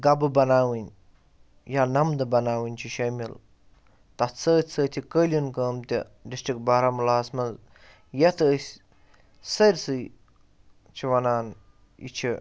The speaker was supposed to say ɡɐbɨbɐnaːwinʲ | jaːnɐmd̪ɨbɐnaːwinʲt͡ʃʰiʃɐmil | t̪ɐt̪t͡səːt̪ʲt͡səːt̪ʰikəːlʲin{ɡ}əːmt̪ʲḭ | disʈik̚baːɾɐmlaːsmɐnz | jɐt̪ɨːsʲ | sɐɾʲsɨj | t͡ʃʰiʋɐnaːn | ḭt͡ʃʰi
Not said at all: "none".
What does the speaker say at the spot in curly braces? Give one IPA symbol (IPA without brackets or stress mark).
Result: k